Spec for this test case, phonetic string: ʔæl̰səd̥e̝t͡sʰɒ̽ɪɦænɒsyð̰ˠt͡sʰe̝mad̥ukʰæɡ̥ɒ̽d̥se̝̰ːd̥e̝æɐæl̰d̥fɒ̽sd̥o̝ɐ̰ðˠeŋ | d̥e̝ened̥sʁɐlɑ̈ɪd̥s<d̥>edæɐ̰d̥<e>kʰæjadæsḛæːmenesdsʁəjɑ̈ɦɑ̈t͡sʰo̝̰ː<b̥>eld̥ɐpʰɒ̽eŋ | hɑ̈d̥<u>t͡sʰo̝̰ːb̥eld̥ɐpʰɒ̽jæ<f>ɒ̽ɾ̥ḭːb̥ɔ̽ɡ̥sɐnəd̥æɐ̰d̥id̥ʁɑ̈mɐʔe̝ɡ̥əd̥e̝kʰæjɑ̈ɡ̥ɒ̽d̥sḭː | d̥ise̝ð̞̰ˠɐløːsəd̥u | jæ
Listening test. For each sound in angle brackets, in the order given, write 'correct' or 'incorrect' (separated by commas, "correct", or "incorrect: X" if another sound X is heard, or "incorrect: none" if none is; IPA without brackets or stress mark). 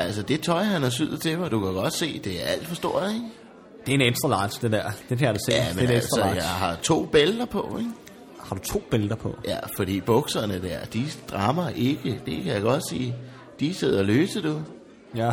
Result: correct, correct, correct, correct, correct